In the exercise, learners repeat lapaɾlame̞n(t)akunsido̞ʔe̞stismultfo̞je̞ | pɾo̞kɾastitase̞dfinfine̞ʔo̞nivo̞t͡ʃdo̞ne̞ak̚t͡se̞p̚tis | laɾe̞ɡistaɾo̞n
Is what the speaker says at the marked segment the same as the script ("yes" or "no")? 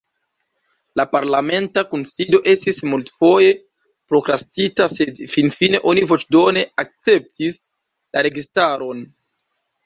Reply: yes